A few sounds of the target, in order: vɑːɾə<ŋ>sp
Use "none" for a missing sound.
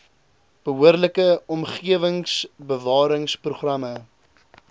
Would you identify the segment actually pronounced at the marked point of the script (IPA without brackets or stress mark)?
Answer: ŋ